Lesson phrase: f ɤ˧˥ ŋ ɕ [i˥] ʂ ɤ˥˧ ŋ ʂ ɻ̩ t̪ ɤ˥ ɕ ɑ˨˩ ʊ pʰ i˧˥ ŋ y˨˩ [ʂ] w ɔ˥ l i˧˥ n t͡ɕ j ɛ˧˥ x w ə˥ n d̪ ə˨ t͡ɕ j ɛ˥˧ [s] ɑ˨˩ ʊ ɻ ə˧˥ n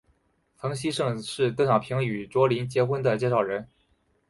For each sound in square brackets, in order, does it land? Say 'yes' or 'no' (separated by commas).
yes, no, no